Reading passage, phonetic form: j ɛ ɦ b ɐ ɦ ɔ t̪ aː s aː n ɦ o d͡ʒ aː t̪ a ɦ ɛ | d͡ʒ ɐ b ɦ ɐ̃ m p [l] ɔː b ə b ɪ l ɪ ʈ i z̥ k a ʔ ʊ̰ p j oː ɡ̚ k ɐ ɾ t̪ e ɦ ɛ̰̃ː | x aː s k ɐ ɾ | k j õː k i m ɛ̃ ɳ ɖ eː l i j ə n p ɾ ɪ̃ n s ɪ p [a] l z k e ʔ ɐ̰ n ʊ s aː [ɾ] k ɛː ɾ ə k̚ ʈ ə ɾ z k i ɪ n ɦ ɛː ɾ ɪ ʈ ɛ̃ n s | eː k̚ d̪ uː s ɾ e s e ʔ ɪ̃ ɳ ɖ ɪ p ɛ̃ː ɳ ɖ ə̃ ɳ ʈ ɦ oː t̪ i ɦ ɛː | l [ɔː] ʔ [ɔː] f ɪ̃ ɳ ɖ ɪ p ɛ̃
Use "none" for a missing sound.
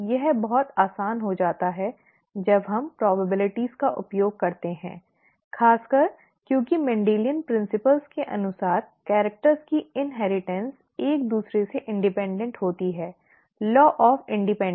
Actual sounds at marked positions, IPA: ɾ, ə, ɾ, ɔː, ɔː

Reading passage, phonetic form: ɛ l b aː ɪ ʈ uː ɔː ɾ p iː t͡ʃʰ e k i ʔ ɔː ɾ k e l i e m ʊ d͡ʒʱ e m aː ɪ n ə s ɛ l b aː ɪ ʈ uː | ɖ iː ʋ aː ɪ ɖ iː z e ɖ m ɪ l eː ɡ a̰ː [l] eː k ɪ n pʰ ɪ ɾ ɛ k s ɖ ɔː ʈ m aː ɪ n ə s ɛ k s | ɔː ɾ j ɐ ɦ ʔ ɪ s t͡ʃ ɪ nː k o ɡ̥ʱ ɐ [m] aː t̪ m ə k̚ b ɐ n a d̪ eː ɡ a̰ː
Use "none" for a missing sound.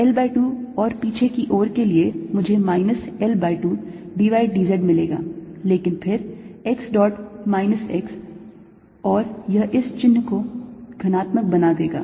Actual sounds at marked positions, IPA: l, n

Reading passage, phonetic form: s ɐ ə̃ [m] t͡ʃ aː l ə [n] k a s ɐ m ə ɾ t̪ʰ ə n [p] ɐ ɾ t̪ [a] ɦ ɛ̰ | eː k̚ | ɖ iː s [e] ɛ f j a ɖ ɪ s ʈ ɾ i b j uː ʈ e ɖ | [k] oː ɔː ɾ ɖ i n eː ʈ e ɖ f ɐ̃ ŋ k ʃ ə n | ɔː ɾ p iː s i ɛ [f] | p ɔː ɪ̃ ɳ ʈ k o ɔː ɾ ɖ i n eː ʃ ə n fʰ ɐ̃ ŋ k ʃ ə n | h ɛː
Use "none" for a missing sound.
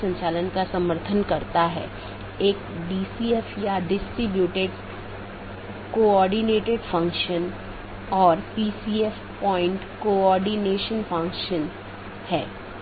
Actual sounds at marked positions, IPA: ɲ, n, k, a, i, k, f

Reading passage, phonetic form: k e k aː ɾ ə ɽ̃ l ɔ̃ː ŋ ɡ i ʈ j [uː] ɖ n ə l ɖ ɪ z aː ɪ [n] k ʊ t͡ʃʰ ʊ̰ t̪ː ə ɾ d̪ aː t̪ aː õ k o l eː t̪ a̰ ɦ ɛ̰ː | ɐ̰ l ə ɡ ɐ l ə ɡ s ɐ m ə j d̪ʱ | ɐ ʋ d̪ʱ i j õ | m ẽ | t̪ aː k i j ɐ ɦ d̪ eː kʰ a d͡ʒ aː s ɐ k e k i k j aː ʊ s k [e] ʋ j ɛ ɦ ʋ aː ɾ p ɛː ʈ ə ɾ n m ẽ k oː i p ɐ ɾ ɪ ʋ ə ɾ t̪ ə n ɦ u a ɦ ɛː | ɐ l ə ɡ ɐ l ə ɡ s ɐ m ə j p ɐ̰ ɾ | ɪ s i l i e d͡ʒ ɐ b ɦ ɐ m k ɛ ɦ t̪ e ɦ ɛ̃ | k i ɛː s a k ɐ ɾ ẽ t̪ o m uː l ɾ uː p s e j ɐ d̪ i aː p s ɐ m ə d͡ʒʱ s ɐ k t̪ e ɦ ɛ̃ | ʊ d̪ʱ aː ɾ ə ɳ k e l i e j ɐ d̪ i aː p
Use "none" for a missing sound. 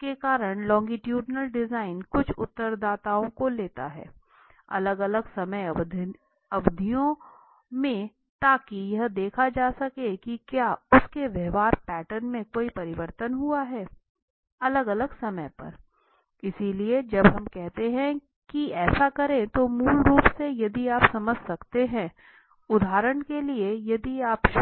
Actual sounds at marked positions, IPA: uː, n, e

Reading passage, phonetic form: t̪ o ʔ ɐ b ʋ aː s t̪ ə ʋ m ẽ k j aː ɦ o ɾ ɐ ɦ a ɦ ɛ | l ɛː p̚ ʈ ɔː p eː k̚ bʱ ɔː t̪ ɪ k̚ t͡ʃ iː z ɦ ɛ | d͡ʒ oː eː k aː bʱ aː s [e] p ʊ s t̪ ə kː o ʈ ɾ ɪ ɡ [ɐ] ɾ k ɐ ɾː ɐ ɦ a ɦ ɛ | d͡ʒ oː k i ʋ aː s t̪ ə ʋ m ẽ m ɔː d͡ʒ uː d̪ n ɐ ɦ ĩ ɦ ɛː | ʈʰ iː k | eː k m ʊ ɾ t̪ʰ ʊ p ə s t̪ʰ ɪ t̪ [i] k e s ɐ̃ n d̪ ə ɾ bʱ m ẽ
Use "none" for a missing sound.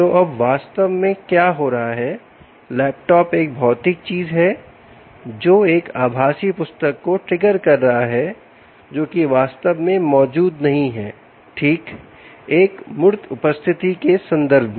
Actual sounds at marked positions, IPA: i, ə, i

